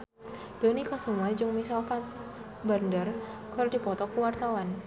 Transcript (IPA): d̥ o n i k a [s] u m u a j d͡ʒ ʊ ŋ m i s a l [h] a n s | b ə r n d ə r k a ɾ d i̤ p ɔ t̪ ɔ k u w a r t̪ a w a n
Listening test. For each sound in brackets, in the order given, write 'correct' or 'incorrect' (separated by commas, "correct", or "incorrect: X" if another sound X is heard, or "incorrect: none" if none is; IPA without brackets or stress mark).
correct, incorrect: f